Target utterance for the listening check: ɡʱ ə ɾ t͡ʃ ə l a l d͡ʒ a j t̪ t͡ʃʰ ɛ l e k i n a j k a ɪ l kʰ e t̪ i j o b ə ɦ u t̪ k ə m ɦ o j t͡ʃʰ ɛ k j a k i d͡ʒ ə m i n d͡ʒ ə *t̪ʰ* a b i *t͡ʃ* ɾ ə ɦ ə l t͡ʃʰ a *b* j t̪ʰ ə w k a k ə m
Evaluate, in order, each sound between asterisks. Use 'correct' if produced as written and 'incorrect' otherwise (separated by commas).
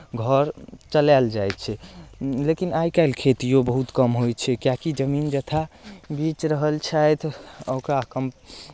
correct, correct, incorrect